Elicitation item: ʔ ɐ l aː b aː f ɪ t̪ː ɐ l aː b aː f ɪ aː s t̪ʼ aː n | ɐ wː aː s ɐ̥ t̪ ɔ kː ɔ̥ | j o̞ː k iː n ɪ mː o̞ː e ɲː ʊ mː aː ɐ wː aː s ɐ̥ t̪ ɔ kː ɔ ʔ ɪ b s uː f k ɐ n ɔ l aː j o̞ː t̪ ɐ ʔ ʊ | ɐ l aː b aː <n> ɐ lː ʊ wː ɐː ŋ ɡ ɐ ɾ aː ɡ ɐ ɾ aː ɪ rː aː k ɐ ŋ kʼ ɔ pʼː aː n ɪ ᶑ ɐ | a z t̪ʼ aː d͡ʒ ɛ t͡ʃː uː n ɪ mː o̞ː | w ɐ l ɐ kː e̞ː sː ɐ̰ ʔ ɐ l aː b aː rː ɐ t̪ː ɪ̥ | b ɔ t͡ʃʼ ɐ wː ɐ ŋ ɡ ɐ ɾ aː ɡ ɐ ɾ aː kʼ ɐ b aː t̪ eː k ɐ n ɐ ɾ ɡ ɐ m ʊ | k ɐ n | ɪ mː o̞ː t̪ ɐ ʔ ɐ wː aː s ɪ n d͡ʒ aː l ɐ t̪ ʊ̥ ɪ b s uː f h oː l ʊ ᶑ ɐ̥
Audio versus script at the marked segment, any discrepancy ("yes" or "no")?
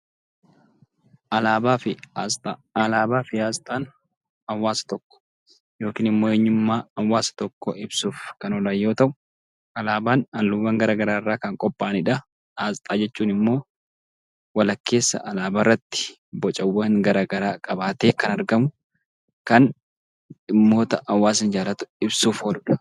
no